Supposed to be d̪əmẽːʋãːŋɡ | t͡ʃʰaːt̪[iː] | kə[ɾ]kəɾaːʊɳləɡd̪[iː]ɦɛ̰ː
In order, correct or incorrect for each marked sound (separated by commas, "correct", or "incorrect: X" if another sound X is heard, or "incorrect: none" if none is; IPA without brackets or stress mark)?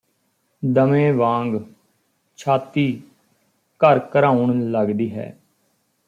correct, correct, correct